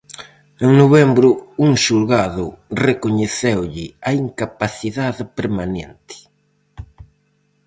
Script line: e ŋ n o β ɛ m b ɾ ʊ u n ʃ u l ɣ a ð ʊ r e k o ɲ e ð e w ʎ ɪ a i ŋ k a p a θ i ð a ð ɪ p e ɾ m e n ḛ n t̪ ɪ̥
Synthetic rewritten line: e ŋ n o β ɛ m b ɾ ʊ u ŋ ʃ u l ɣ a ð ʊ r e k o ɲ e θ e w ʎ ɪ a i ŋ k a p a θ i ð a ð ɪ p e ɾ m a n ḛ n t̪ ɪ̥